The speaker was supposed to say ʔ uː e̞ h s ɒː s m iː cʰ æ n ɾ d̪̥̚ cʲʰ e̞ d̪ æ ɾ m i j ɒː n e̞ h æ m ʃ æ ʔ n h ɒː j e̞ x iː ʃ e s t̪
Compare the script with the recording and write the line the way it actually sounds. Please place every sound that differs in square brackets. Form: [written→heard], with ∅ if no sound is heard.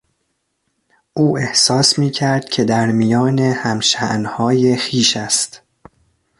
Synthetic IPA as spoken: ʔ uː e̞ h s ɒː s m iː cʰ æ [n→∅] ɾ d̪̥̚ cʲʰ e̞ d̪ æ ɾ m i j ɒː n e̞ h æ m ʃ æ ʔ n h ɒː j e̞ x iː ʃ [e→æ] s t̪